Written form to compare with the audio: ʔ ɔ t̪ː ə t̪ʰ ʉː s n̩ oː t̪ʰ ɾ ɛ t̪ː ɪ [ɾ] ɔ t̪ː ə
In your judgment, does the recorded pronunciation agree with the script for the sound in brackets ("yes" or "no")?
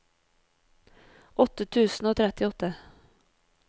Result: no